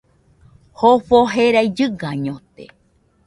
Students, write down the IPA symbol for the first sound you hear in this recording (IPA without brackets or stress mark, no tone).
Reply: h